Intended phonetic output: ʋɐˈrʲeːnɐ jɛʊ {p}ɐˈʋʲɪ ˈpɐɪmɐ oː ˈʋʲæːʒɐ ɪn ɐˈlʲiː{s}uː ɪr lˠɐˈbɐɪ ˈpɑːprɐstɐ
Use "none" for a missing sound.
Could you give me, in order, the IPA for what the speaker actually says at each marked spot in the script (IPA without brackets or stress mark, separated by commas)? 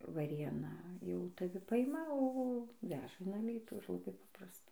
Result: t, t